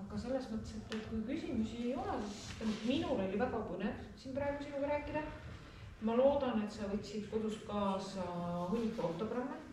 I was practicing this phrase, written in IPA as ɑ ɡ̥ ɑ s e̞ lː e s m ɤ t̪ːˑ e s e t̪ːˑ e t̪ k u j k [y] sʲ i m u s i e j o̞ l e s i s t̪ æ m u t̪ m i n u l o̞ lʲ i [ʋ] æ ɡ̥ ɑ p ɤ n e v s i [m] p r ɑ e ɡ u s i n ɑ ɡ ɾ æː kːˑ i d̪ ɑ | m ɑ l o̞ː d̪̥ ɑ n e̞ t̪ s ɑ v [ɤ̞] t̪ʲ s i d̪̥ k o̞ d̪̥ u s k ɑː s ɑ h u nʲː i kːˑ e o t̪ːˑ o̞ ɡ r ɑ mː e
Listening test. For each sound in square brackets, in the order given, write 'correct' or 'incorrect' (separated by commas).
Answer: correct, incorrect, incorrect, correct